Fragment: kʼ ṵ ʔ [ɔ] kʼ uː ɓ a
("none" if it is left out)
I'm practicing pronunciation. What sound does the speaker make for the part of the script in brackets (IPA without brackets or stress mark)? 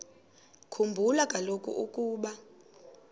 u